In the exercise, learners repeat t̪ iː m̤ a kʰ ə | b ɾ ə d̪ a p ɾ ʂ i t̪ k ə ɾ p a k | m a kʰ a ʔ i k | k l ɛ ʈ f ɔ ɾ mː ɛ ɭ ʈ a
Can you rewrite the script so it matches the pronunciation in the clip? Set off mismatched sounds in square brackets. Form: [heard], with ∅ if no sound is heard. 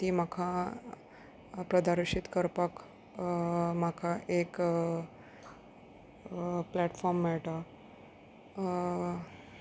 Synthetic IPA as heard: t̪ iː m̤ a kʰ [a] | [p] ɾ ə d̪ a [∅] ɾ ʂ i t̪ k ə ɾ p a k | m a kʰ a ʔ [e] k | [p] l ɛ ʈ f ɔ ɾ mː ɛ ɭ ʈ a